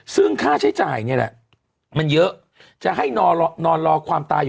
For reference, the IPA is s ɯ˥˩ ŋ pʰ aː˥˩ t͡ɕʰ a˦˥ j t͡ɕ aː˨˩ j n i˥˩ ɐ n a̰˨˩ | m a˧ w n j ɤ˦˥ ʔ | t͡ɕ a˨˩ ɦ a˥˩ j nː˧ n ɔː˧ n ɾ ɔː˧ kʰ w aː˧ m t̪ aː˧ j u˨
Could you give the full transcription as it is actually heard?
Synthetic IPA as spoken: s ɯ˥˩ ŋ kʰ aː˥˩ t͡ɕʰ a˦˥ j t͡ɕ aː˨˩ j n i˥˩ ɐ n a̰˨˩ | m a˧ n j ɤ˦˥ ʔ | t͡ɕ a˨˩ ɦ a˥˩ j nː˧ n ɔː˧ n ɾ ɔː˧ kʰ w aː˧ m t̪ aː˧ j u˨